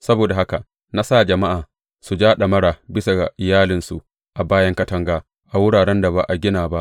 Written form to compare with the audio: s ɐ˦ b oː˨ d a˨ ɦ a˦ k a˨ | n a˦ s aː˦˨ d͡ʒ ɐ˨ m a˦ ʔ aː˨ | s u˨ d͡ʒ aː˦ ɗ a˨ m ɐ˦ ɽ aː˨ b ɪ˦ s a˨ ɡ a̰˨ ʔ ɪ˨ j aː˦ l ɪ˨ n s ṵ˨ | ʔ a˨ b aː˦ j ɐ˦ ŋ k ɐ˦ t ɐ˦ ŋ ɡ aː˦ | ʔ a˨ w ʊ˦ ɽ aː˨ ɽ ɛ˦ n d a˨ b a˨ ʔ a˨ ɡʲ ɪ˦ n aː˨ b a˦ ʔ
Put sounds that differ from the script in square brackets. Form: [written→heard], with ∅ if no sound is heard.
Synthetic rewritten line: s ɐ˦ b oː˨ d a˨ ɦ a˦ k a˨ | n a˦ s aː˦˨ d͡ʒ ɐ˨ m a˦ ʔ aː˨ | s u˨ d͡ʒ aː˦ ɗ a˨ m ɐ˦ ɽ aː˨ b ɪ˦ s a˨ ɡ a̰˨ ʔ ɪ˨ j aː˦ l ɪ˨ n s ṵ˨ | ʔ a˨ b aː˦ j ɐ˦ ŋ k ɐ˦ t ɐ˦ ŋ ɡ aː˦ | ʔ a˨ w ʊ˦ ɽ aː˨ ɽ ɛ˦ n d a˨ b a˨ ʔ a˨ ɡʲ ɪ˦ n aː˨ b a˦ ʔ